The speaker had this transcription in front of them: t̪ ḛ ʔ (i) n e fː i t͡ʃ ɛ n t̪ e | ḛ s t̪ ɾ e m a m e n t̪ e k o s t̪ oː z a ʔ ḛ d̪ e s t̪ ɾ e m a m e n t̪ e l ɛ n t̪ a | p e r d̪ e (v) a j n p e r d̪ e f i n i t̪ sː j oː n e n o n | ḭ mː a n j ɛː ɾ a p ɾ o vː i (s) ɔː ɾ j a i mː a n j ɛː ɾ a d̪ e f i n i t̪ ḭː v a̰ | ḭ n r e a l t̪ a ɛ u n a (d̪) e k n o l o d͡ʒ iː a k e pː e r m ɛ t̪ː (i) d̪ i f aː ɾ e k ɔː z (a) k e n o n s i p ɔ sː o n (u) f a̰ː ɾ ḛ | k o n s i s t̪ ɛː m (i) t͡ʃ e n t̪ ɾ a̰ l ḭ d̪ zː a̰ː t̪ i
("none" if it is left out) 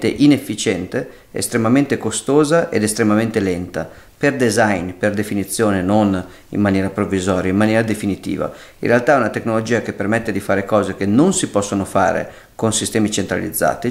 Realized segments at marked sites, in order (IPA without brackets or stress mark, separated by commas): i, z, z, t̪, e, e, o, i